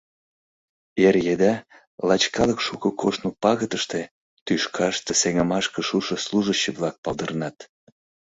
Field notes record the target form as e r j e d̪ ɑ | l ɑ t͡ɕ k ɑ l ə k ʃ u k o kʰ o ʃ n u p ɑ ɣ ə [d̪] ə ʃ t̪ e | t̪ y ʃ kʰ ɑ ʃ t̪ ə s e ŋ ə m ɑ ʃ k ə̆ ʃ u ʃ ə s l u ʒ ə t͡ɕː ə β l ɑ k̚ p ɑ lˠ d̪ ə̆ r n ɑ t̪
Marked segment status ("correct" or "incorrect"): incorrect